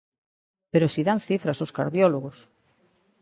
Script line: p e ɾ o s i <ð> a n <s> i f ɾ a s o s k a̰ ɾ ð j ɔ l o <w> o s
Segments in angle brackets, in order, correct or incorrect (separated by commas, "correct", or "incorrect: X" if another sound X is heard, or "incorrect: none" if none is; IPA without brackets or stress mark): correct, incorrect: θ, incorrect: ɣ